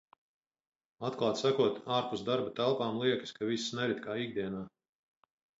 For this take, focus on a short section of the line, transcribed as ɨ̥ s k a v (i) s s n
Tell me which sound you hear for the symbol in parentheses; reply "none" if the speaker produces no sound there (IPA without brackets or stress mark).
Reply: i